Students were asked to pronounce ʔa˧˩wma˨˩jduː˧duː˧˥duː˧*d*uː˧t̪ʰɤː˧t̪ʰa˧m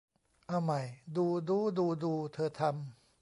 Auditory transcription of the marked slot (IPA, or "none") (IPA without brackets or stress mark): d